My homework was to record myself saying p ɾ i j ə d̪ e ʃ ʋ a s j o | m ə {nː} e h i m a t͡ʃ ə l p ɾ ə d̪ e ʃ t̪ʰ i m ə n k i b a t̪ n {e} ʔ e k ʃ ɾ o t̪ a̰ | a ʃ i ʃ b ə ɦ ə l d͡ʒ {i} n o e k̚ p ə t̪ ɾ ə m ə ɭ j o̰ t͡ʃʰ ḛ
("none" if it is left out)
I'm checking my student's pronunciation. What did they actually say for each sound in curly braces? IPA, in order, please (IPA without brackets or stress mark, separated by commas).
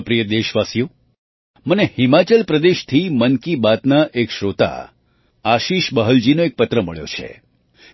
n, a, i